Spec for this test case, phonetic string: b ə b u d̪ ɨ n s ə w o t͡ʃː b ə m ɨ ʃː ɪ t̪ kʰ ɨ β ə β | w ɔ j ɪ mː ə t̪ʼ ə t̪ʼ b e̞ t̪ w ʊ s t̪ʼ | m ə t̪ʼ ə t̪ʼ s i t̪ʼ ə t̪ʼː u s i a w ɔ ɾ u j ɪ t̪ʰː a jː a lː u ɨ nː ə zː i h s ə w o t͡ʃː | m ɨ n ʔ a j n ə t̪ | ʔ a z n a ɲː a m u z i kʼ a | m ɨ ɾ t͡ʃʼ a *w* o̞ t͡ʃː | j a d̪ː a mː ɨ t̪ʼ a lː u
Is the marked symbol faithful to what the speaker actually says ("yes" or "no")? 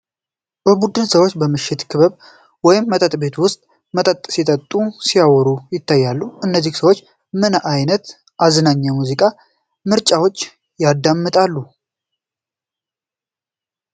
yes